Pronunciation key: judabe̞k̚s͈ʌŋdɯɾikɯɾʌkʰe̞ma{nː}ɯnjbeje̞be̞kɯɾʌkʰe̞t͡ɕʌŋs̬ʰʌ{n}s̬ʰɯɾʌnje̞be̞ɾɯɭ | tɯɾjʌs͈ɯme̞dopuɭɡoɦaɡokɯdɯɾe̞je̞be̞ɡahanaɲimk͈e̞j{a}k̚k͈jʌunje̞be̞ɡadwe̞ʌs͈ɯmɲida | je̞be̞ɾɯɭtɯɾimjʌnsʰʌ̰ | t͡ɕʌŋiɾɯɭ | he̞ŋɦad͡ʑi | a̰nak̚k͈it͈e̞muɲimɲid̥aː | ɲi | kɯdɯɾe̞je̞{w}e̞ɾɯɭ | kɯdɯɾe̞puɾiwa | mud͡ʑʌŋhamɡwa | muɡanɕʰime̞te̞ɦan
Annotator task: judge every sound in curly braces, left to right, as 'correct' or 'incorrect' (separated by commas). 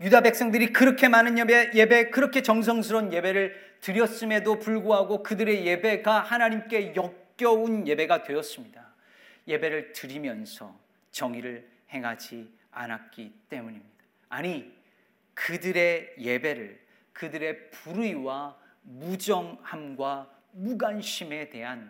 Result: incorrect, incorrect, incorrect, incorrect